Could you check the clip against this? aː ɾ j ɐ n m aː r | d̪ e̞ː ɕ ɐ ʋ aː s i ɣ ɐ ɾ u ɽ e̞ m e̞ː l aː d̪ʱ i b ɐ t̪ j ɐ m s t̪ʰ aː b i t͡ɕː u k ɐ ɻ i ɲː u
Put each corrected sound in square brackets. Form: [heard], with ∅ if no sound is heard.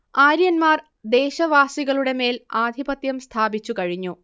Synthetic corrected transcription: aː ɾ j ɐ n m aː r | d̪ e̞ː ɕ ɐ ʋ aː s i ɣ ɐ [ɭ] u ɽ e̞ m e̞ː l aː d̪ʱ i b ɐ t̪ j ɐ m s t̪ʰ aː b i t͡ɕː u k ɐ ɻ i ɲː u